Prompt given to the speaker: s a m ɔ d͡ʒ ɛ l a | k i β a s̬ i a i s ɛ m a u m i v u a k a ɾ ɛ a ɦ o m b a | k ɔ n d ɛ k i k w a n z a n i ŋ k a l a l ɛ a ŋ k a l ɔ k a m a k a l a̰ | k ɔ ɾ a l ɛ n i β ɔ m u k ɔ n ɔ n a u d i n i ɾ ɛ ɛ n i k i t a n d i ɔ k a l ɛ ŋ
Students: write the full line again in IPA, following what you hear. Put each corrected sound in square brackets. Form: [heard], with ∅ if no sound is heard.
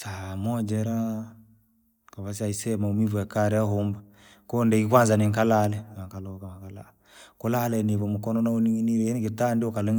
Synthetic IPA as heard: s a m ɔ d͡ʒ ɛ [ɾ] a | k [a] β a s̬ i a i s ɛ m a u m i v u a k a ɾ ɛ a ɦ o m b a | k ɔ n d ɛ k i k w a n z a n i ŋ k a l a l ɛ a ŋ k a l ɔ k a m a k a l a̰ | k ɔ [l] a l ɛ n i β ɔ m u k ɔ n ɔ n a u [n] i n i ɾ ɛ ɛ n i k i t a n d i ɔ k a l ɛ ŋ

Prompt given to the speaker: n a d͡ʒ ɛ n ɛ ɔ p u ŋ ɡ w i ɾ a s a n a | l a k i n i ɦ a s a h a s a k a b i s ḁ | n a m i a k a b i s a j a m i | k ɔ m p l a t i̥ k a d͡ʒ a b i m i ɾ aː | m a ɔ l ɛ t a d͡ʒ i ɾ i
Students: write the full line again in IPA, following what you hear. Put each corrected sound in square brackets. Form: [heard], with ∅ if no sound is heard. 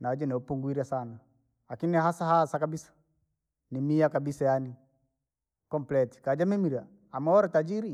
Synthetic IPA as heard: n a d͡ʒ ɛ n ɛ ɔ p u ŋ ɡ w i ɾ a s a n a | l a k i n i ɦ a s a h a s a k a b i s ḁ | n [i] m i a k a b i s a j a [n] i | k ɔ m p l [ɛ] t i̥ k a d͡ʒ a [m] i m i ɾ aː | m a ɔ [ɾ] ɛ t a d͡ʒ i ɾ i

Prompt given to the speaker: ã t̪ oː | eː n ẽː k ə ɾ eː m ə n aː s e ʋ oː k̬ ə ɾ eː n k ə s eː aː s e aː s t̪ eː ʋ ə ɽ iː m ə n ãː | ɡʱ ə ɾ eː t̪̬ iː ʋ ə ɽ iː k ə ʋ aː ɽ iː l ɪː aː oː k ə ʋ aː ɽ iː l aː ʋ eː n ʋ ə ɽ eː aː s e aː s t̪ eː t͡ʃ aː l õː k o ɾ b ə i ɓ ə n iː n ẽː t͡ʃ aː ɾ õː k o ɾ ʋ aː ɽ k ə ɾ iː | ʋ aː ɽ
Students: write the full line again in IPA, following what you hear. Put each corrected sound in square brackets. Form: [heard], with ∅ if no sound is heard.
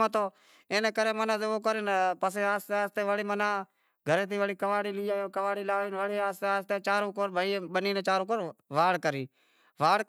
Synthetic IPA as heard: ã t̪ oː | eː n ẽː k ə ɾ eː m ə n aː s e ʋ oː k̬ ə ɾ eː n [p] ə s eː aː s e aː s t̪ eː ʋ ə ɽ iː m ə n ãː | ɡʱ ə ɾ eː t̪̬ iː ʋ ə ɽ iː k ə ʋ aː ɽ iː l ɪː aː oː k ə ʋ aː ɽ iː l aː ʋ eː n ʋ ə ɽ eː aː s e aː s t̪ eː t͡ʃ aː [ɾ] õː k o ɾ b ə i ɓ ə n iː n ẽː t͡ʃ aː ɾ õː k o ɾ ʋ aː ɽ k ə ɾ iː | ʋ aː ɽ

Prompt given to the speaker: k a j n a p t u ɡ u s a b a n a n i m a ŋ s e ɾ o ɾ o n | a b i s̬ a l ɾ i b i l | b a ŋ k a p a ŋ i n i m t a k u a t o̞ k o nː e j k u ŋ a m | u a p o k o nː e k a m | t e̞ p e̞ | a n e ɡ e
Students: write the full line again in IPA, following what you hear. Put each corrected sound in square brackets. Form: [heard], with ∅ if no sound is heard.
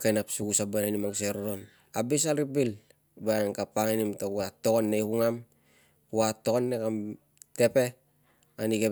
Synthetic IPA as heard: k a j n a p [s] u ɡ u s a b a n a n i m a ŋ s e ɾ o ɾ o n | a b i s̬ a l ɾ i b i l | b a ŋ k a p a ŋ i n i m t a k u a t o̞ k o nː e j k u ŋ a m | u a [t] o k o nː e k a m | t e̞ p e̞ | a n [i] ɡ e

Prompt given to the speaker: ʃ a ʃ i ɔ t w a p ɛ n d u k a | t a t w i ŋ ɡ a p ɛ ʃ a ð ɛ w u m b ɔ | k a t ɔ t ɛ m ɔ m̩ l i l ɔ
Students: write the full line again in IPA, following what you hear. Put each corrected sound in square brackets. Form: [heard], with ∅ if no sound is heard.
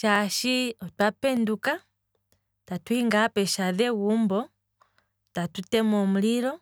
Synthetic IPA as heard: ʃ a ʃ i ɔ t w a p ɛ n d u k a | t a t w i ŋ ɡ a p ɛ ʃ a ð ɛ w u m b ɔ | [t] a t [u] t ɛ m ɔ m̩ l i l ɔ

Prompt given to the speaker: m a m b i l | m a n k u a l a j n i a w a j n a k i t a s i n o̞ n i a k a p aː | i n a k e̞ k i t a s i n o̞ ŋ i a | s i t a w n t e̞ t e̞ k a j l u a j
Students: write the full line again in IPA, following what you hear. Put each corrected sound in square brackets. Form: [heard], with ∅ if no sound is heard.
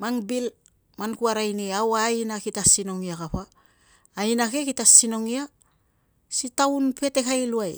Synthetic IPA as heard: m a [ŋ] b i l | m a n k u a [ɾ] a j n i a w a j n a k i t a s i n o̞ [ŋ] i a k a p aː | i n a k e̞ k i t a s i n o̞ ŋ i a | s i t a w n [p] e̞ t e̞ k a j l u a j

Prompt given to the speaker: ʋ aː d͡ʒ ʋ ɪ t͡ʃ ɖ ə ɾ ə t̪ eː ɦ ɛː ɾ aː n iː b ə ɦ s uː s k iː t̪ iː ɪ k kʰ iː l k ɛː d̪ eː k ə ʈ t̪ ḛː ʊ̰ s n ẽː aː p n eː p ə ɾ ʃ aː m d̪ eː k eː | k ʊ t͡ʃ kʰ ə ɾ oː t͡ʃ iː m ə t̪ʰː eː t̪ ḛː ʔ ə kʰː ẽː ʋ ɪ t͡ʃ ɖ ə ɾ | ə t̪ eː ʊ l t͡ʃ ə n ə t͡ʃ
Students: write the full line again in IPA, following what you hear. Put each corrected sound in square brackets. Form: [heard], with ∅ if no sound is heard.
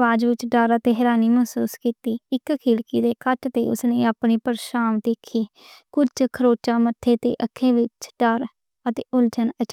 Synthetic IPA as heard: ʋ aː d͡ʒ ʋ ɪ t͡ʃ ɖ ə ɾ ə t̪ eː ɦ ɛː ɾ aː n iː [m] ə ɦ s uː s k iː t̪ iː ɪ k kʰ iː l k [iː] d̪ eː k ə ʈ t̪ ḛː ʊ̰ s n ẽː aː p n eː p ə ɾ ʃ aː m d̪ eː [kʰ] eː | k ʊ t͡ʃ kʰ ə ɾ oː t͡ʃ [aː] m ə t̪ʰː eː t̪ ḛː ʔ ə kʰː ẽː ʋ ɪ t͡ʃ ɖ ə ɾ | ə t̪ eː ʊ l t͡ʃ ə n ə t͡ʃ

